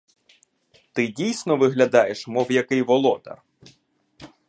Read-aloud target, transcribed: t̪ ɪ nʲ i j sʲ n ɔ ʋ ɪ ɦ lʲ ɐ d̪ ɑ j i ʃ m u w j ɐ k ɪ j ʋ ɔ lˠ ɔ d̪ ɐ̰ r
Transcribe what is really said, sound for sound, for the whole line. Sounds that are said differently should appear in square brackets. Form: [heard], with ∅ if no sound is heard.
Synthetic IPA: t̪ ɪ [dʲ] i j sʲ n ɔ ʋ ɪ ɦ lʲ ɐ d̪ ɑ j [e] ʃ m [ɔ] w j ɐ k ɪ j ʋ ɔ lˠ ɔ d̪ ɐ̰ r